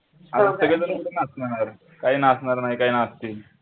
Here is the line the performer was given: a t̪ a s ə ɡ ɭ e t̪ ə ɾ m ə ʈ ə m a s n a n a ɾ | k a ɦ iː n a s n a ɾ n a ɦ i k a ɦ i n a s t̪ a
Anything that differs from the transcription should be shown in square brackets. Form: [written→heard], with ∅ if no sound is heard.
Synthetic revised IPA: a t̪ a s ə ɡ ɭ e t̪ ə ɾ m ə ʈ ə [m→n] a s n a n a ɾ | k a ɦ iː n a s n a ɾ n a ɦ i k a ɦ i n a s t̪ [a→i]